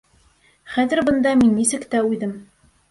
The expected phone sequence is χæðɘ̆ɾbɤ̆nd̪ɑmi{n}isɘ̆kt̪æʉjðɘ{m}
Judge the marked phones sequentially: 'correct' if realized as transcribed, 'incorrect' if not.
incorrect: nː, correct

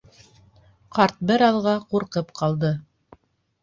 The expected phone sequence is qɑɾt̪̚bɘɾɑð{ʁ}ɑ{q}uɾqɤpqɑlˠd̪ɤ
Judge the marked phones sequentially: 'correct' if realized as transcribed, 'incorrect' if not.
correct, correct

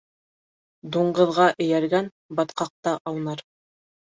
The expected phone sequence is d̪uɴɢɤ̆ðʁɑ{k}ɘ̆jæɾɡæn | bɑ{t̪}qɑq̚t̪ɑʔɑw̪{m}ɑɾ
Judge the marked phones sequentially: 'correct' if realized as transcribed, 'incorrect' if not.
incorrect: ʔ, correct, incorrect: n

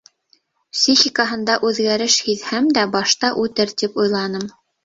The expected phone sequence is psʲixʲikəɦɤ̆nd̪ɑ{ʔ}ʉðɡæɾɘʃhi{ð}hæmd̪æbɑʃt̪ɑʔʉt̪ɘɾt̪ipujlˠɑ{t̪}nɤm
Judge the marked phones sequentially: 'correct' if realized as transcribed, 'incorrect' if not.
correct, correct, incorrect: none

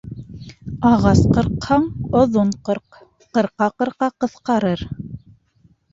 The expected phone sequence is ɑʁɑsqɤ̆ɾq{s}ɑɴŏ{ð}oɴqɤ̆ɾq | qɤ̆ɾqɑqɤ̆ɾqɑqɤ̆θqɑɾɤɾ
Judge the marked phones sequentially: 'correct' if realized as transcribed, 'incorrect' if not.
incorrect: h, correct

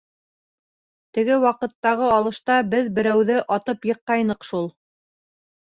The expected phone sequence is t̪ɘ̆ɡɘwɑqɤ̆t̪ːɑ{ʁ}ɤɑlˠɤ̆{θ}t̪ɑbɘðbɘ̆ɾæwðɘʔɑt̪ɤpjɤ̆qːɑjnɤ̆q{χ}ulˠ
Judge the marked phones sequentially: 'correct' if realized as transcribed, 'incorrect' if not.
correct, incorrect: ʃ, incorrect: ʃ

